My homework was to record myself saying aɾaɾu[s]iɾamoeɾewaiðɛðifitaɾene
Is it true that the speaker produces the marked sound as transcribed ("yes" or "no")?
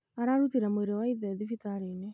no